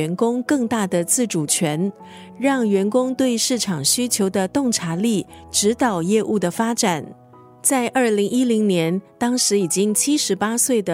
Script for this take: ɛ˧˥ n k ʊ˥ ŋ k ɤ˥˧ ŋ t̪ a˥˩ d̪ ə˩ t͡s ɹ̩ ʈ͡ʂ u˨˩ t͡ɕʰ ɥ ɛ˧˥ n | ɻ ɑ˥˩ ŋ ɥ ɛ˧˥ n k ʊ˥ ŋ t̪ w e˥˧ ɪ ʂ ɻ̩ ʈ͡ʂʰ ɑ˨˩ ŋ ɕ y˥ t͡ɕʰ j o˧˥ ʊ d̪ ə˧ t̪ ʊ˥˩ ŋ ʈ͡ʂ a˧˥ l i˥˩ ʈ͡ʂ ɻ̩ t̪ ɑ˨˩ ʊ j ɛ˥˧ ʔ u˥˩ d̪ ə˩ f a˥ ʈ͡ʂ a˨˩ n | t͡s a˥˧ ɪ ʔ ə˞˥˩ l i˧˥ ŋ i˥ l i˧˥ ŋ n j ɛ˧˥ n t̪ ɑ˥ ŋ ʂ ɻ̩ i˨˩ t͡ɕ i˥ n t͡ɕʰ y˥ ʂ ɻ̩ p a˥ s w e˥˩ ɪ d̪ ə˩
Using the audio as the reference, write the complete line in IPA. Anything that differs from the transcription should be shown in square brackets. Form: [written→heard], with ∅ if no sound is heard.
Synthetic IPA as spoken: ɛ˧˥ n k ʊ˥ ŋ k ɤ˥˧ ŋ t̪ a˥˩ d̪ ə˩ t͡s ɹ̩ ʈ͡ʂ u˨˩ t͡ɕʰ ɥ ɛ˧˥ n | ɻ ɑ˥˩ ŋ ɥ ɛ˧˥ n k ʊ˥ ŋ t̪ w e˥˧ ɪ ʂ ɻ̩ ʈ͡ʂʰ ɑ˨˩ ŋ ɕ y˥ t͡ɕʰ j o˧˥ ʊ d̪ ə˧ t̪ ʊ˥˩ ŋ [ʈ͡ʂ→ʈ͡ʂʰ] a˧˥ l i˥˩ ʈ͡ʂ ɻ̩ t̪ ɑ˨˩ ʊ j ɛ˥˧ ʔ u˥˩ d̪ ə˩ f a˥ ʈ͡ʂ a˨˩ n | t͡s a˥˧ ɪ ʔ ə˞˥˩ l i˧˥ ŋ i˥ l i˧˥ ŋ n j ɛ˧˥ n t̪ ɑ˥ ŋ ʂ ɻ̩ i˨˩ t͡ɕ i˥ [n→ŋ] t͡ɕʰ [y˥→i˥] ʂ ɻ̩ p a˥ s w e˥˩ ɪ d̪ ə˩